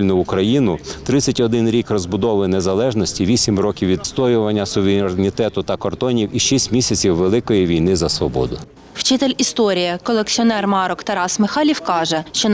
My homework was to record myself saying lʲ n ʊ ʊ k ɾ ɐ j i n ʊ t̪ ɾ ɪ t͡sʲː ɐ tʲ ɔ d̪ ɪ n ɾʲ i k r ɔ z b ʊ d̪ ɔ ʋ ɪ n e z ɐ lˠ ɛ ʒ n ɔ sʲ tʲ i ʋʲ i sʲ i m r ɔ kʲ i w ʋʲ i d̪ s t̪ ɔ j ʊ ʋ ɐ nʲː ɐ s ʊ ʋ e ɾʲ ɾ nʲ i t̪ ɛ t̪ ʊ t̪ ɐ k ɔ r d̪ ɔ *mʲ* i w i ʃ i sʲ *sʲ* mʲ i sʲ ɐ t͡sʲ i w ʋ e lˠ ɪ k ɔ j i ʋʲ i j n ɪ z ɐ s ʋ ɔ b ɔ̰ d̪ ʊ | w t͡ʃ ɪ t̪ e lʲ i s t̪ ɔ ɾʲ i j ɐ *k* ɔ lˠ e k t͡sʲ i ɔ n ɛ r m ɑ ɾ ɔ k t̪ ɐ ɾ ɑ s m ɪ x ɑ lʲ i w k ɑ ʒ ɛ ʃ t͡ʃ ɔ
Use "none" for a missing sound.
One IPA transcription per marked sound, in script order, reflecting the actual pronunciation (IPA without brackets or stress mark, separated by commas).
nʲ, tʲ, k